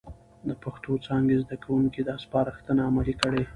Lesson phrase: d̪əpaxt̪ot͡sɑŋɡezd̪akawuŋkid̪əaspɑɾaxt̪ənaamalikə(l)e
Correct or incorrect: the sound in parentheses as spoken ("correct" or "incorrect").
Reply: incorrect